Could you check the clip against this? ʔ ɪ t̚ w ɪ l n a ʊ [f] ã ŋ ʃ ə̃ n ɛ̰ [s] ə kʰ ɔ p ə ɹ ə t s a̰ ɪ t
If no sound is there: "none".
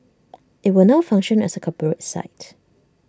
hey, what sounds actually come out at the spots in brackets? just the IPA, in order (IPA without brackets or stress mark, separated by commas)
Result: f, s